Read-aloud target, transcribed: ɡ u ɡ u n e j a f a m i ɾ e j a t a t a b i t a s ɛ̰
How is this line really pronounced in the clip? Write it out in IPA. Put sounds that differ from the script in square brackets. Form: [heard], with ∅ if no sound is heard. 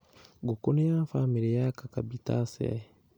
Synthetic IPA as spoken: ɡ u [k] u n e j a f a m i ɾ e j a [k] a [k] a b i t a s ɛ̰